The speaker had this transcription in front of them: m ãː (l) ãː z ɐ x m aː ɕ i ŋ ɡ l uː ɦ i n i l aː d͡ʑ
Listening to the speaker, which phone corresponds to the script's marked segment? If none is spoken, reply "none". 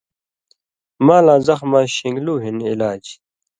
l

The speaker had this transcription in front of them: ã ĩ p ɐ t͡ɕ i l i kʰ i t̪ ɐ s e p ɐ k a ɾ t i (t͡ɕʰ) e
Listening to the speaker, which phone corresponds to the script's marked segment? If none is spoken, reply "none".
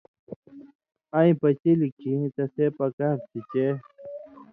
t͡ɕ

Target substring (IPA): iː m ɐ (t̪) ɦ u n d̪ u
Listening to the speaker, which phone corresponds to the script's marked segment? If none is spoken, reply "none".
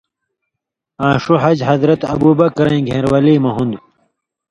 none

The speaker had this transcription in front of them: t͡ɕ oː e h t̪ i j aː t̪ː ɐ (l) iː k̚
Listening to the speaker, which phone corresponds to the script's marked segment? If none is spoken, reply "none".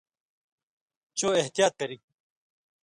ɾ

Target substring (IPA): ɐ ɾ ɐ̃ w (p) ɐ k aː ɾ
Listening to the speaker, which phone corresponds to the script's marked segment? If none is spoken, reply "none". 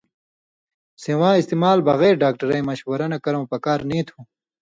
p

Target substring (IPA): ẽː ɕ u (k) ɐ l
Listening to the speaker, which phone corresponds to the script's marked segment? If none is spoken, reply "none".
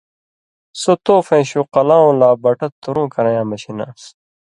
q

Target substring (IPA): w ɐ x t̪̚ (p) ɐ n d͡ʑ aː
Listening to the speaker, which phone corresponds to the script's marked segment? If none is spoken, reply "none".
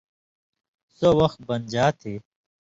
b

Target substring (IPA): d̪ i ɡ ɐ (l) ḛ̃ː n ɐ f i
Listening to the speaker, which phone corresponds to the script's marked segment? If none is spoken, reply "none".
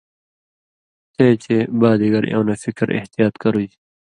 ɾ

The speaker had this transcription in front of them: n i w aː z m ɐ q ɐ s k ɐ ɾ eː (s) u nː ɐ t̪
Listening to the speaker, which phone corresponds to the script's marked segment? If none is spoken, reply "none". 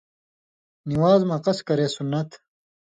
s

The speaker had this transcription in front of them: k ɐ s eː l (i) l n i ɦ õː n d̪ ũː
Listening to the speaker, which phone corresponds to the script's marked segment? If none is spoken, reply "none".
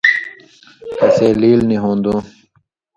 iː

